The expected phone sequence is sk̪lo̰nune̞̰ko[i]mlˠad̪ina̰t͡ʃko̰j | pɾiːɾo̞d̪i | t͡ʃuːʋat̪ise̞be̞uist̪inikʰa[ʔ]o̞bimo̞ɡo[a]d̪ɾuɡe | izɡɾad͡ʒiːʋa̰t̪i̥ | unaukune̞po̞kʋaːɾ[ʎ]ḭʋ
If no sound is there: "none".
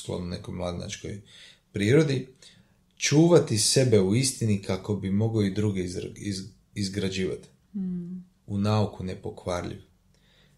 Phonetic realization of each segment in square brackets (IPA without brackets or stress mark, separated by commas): j, k, i, ʎ